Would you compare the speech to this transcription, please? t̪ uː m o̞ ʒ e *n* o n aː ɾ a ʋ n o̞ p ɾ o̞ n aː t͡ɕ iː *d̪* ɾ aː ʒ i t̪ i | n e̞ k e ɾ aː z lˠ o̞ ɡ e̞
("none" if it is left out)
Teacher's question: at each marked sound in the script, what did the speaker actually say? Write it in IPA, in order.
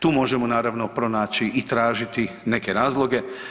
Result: m, t̪

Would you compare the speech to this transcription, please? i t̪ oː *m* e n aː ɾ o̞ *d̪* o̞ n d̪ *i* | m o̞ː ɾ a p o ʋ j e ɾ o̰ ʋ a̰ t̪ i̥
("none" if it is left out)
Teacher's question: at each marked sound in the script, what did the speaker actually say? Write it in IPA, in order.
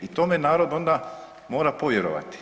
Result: m, d̪, a

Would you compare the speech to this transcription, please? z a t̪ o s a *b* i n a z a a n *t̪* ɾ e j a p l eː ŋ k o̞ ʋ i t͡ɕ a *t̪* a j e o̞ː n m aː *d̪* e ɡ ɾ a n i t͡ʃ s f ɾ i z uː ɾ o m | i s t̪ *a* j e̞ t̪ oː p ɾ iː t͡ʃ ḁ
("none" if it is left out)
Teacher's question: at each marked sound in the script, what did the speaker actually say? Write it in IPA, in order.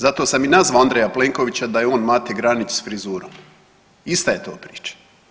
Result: m, d̪, d̪, t̪, a

